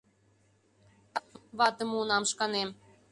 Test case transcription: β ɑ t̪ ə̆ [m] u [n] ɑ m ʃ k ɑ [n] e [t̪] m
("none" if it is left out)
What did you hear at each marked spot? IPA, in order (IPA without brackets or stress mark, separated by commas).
m, n, n, none